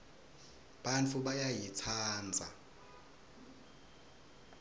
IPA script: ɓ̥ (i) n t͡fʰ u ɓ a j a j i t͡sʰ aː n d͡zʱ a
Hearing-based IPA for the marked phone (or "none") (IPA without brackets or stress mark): a